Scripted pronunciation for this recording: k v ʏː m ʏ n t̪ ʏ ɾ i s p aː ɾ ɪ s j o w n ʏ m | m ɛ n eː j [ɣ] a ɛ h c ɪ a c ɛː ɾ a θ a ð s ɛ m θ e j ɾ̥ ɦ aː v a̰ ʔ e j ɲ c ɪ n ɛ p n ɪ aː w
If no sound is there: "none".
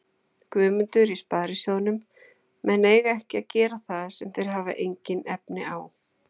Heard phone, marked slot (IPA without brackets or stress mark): ɣ